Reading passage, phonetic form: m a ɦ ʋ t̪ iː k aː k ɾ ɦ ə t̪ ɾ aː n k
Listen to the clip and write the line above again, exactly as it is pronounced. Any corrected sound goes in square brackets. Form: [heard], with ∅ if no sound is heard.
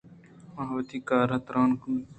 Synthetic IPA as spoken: m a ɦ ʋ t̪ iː k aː [∅] ɾ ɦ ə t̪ ɾ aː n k